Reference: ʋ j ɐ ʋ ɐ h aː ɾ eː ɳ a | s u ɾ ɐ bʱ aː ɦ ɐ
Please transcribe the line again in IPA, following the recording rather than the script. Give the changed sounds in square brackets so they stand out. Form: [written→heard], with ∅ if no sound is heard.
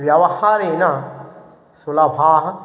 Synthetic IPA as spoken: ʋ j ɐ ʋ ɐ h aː ɾ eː [ɳ→n] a | s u [ɾ→l] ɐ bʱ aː ɦ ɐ